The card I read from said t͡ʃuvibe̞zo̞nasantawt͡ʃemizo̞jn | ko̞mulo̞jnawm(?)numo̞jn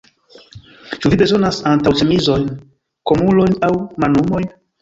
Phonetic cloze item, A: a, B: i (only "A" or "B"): A